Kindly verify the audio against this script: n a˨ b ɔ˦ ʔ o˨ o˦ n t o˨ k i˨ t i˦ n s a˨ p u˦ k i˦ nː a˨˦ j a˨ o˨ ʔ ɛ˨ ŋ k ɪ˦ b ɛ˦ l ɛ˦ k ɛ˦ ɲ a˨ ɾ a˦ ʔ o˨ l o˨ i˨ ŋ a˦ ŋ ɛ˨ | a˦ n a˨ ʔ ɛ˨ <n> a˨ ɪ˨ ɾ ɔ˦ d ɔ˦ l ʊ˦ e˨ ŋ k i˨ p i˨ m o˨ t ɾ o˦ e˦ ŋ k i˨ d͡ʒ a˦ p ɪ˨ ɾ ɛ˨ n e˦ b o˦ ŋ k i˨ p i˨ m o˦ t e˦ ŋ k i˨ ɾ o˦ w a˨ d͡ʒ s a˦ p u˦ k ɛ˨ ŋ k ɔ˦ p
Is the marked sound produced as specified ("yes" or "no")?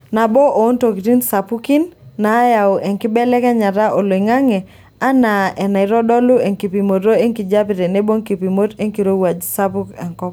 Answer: yes